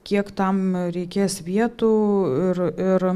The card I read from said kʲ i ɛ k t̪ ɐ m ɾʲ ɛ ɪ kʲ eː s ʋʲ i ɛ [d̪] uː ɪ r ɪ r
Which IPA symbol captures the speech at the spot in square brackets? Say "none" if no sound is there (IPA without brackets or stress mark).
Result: t̪